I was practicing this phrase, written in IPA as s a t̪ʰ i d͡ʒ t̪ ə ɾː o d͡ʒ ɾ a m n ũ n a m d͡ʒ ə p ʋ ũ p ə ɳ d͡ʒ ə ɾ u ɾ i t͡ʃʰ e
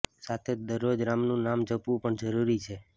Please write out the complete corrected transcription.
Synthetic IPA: s a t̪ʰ e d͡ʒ d̪ ə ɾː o d͡ʒ ɾ a m n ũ n a m d͡ʒ ə p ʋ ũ p ə ɳ d͡ʒ ə ɾ u ɾ i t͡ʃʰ e

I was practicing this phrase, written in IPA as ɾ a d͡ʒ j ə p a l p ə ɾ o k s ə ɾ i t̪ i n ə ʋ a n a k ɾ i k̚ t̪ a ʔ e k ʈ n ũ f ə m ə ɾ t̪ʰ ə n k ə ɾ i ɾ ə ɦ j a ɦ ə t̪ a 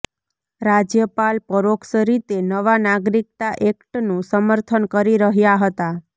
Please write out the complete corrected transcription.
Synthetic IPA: ɾ a d͡ʒ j ə p a l p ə ɾ o k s ə ɾ i t̪ e n ə ʋ a n a ɡ ɾ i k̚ t̪ a ʔ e k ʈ n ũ s ə m ə ɾ t̪ʰ ə n k ə ɾ i ɾ ə ɦ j a ɦ ə t̪ a

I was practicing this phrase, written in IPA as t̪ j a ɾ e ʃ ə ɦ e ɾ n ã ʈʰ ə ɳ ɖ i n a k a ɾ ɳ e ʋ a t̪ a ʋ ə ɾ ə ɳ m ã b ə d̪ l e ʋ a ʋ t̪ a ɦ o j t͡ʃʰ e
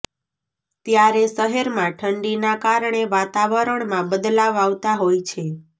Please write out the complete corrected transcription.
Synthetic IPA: t̪ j a ɾ e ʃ ə ɦ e ɾ m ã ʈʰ ə ɳ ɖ i n a k a ɾ ɳ e ʋ a t̪ a ʋ ə ɾ ə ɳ m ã b ə d̪ l a ʋ a ʋ t̪ a ɦ o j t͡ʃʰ e

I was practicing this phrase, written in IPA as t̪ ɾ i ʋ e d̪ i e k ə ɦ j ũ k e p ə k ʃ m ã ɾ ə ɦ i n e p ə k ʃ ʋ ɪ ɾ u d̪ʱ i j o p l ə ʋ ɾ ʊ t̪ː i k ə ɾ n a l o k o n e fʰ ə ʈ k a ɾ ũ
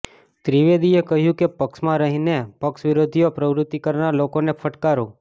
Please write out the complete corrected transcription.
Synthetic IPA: t̪ ɾ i ʋ e d̪ i e k ə ɦ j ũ k e p ə k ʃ m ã ɾ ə ɦ i n e p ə k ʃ ʋ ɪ ɾ o d̪ʱ i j o p ɾ ə ʋ ɾ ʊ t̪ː i k ə ɾ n a l o k o n e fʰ ə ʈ k a ɾ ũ

